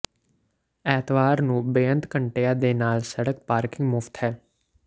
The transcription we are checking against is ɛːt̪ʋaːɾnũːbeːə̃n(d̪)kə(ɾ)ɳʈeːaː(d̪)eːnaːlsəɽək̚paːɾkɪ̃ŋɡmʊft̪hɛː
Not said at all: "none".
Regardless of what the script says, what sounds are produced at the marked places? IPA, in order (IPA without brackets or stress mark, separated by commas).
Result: t̪, none, d̪